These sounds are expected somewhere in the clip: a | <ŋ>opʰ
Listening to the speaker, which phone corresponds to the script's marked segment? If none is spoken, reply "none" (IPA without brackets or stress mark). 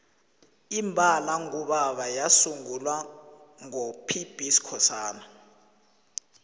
ŋ